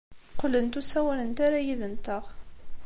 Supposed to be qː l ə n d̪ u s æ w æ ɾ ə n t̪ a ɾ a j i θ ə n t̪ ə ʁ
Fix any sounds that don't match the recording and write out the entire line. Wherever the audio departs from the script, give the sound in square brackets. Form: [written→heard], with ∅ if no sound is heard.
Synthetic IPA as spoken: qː l ə n [d̪→t̪] u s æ w æ [ɾ→l] ə n t̪ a ɾ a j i [θ→ð] ə n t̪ ə ʁ